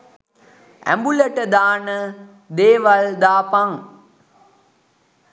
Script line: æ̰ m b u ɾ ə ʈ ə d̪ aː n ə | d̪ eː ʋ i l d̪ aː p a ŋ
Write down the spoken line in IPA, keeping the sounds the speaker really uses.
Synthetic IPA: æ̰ m b u l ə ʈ ə d̪ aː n ə | d̪ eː ʋ a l d̪ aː p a ŋ